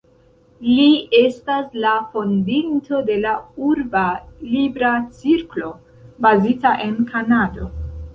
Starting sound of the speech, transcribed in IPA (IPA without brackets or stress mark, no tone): l